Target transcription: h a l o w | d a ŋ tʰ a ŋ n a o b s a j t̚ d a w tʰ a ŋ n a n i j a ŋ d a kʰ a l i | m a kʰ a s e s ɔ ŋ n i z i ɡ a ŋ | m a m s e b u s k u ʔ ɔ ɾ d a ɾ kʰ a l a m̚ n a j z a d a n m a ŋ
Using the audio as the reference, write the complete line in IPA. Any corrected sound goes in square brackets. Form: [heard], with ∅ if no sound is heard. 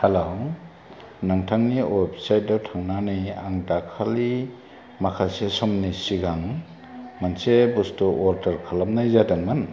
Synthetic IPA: h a l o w | [n] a ŋ tʰ a ŋ n [i] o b s a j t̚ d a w tʰ a ŋ n a n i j a ŋ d a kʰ a l i | m a kʰ a s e s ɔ [m] n i [s] i ɡ a ŋ | m a [n] s e b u s [t] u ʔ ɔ ɾ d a ɾ kʰ a l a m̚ n a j z a d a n m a [n]